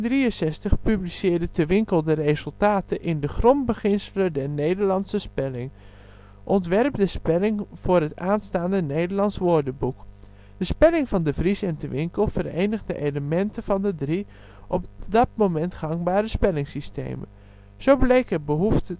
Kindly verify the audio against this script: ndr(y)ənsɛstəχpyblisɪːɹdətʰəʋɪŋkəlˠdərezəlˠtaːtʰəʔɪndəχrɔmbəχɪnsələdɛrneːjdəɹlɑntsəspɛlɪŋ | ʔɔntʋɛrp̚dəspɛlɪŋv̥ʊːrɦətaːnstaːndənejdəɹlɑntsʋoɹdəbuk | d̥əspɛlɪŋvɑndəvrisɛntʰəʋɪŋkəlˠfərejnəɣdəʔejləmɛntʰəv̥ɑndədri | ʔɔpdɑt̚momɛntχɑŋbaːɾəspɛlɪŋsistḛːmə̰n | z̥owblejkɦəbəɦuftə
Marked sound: incorrect: i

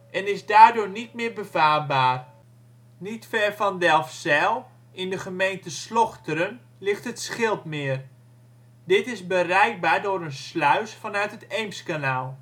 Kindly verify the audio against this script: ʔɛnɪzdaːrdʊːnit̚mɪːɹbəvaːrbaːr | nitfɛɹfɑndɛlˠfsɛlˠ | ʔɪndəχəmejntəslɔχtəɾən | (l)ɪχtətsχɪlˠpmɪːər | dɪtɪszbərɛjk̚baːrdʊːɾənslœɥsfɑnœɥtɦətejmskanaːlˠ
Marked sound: correct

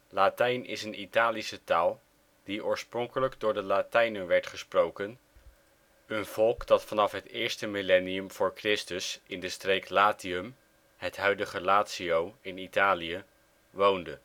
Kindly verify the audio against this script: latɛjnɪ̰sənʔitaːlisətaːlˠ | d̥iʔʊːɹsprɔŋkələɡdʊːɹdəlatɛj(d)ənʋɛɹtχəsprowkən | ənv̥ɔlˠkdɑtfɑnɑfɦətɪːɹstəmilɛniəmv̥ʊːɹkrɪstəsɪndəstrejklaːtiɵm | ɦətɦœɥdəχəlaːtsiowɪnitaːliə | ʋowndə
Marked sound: incorrect: n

